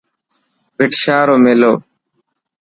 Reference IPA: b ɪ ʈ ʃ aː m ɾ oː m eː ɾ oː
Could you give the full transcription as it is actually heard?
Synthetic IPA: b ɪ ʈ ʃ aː ɾ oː m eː l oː